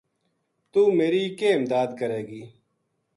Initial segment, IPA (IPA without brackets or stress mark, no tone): t̪